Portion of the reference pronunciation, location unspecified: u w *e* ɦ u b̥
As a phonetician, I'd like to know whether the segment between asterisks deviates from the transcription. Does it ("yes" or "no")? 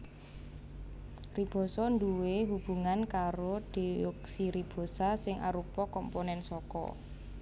no